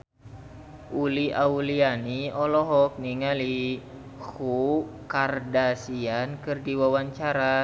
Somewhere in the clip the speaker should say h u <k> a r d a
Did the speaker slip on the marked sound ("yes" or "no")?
no